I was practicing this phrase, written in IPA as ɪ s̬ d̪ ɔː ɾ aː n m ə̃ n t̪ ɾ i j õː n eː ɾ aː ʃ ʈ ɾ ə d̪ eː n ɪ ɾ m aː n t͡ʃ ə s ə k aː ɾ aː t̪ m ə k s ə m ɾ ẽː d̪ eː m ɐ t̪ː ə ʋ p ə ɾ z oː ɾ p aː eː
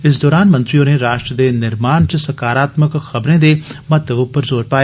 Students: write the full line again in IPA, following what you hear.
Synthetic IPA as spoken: ɪ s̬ d̪ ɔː ɾ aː n m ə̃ n t̪ ɾ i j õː n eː ɾ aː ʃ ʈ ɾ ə d̪ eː n ɪ ɾ m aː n t͡ʃ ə s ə k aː ɾ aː t̪ m ə k x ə b ɾ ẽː d̪ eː m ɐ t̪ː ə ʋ p ə ɾ z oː ɾ p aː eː